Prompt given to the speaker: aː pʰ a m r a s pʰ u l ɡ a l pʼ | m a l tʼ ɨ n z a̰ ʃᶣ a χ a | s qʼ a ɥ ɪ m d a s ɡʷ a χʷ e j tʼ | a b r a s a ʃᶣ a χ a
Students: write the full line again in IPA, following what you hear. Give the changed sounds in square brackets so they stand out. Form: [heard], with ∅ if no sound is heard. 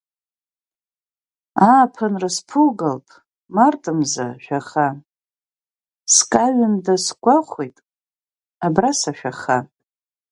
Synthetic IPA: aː pʰ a [n] r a s pʰ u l ɡ a l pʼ | m a [r] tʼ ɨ [m] z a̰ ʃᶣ a χ a | s [kʼ] a ɥ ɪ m d a s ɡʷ a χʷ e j tʼ | a b r a s a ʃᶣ a χ a